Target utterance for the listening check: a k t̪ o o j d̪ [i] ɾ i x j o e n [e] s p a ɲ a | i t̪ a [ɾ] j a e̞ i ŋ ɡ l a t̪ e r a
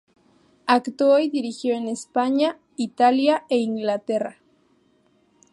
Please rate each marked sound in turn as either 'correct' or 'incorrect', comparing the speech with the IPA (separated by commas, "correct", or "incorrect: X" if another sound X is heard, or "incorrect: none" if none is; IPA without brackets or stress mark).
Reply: correct, correct, incorrect: l